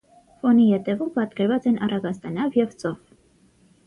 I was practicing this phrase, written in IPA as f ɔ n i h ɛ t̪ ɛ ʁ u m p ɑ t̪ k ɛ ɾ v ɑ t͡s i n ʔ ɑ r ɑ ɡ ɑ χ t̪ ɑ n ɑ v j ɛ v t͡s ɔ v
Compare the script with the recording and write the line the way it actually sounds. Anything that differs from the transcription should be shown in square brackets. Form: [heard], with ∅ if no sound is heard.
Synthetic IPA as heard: f ɔ n i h ɛ t̪ ɛ [v] u m p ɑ t̪ k ɛ ɾ v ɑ t͡s [ɛ] n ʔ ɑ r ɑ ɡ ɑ [s] t̪ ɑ n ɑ v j ɛ v t͡s ɔ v